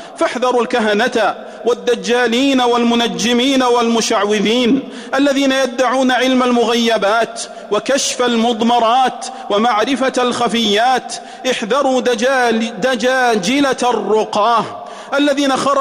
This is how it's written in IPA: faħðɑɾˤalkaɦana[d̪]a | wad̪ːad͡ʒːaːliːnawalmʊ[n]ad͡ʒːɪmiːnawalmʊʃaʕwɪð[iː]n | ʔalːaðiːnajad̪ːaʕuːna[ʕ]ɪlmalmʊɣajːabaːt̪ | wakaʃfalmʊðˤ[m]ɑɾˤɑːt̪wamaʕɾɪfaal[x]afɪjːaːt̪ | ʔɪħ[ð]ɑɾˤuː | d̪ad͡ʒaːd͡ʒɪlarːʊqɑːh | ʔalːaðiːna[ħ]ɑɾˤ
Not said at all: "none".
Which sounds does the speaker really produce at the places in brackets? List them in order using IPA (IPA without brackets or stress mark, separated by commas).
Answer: t̪, n, iː, ʕ, m, x, ð, x